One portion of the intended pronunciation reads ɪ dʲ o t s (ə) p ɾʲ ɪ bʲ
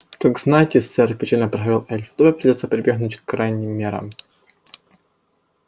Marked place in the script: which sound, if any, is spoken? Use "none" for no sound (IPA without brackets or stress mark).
ə